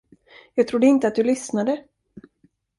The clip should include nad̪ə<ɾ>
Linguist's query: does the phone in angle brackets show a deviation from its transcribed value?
yes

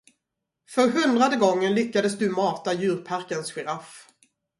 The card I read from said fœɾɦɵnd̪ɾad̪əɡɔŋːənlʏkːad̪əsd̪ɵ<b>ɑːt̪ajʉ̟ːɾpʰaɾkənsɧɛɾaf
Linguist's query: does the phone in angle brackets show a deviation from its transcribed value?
yes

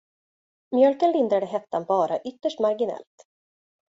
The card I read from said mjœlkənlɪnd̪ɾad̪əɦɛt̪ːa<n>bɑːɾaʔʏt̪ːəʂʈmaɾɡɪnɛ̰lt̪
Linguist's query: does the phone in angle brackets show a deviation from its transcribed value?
no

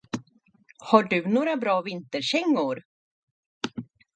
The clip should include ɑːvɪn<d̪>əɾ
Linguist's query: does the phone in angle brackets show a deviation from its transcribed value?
yes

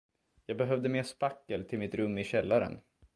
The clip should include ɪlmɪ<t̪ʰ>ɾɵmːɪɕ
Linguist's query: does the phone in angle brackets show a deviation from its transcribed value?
yes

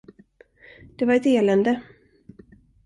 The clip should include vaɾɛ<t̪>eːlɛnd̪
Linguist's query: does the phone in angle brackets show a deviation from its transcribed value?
no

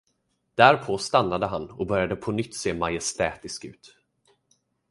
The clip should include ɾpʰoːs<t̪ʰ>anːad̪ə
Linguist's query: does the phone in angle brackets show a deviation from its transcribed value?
yes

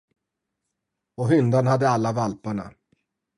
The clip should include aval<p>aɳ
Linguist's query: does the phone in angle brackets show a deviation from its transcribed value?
no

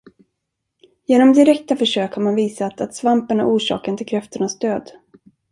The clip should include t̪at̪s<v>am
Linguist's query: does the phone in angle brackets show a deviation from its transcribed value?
no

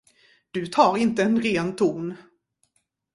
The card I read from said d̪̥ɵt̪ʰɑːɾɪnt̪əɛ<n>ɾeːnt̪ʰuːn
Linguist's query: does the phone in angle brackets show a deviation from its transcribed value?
no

